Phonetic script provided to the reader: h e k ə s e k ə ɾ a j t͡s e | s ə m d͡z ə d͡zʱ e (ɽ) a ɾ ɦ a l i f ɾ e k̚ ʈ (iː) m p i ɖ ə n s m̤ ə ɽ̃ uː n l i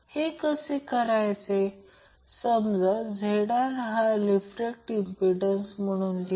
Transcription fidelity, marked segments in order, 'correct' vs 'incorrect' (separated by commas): correct, incorrect